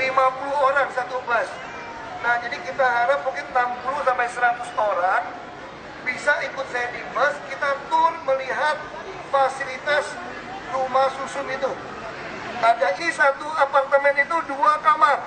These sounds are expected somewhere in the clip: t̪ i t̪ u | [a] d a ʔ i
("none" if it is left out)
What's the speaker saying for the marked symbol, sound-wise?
a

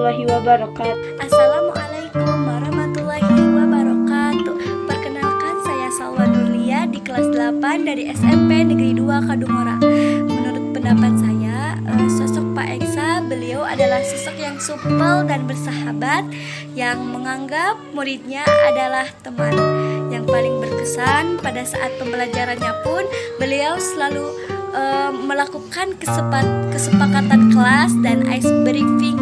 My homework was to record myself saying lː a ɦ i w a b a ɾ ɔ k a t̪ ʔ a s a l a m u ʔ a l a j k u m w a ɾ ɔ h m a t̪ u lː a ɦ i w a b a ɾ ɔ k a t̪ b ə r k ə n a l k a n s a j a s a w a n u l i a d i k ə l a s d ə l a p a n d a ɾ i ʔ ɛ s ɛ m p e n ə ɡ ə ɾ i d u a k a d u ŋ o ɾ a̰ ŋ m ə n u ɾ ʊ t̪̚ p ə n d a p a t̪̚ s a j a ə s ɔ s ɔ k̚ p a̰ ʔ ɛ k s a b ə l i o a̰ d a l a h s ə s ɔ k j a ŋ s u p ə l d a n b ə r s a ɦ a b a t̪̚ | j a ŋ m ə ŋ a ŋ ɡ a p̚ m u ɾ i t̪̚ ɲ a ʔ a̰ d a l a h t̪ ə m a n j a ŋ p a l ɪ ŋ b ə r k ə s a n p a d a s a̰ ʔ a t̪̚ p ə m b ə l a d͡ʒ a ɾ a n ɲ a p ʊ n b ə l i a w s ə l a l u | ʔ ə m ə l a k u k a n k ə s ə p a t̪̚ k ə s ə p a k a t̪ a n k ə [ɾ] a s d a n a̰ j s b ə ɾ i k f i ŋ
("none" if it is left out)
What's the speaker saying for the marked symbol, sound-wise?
l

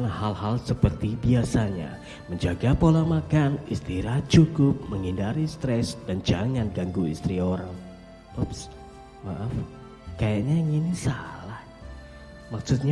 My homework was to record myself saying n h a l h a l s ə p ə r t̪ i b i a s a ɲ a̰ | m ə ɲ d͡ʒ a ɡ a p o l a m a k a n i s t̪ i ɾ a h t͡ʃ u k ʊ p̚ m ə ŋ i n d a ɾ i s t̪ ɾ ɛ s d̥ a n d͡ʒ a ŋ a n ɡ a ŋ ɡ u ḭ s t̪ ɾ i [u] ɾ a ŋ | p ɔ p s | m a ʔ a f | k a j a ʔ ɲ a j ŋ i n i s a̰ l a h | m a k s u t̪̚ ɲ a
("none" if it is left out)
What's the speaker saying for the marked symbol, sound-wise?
o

